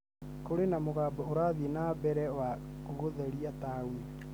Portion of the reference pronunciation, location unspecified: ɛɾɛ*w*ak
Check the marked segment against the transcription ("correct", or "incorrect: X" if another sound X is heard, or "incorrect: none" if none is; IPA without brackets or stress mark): correct